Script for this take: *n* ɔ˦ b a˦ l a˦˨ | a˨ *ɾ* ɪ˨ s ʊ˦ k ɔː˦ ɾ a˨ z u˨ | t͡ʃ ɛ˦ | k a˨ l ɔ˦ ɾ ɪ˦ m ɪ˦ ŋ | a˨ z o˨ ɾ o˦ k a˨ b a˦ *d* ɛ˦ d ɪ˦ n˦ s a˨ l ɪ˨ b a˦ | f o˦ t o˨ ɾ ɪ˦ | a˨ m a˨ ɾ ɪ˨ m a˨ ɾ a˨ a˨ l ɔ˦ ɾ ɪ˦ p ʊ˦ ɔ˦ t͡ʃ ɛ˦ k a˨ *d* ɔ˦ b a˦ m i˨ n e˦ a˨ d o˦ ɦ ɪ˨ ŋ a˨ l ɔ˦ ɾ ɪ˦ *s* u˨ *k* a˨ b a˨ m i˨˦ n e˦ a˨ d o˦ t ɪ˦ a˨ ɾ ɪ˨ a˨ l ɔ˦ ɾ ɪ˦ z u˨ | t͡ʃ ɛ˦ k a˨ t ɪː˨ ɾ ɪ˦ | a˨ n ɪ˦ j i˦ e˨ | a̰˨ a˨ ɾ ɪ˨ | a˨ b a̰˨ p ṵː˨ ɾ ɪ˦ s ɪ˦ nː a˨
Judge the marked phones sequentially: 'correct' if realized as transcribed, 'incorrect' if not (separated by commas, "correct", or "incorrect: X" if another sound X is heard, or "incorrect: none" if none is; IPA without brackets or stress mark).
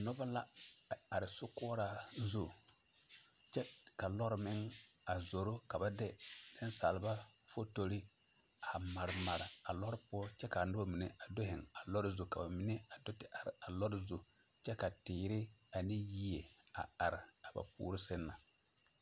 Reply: correct, correct, correct, incorrect: n, incorrect: z, correct